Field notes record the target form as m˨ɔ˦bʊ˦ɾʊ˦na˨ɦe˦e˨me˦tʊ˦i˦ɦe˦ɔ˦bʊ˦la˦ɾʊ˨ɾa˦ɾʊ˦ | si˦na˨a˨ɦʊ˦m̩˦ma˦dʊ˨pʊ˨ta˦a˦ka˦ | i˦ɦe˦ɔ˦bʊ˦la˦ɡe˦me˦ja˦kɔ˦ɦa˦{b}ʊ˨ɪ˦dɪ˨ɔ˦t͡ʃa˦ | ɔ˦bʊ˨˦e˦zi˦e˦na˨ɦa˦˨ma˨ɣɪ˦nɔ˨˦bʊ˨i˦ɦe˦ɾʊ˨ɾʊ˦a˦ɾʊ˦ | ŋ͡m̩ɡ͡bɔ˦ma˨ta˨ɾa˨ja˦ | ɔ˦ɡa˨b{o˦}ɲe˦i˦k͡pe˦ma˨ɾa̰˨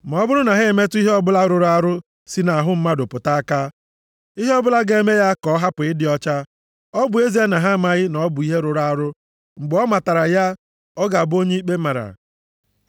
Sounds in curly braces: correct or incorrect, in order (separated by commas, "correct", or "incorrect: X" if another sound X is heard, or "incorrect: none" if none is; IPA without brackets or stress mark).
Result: incorrect: p, correct